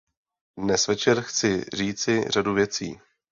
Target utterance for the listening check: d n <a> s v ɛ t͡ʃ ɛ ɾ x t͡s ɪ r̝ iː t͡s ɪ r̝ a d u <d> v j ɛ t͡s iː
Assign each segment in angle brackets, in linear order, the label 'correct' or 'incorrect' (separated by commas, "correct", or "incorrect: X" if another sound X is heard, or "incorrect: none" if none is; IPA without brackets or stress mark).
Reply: incorrect: ɛ, incorrect: none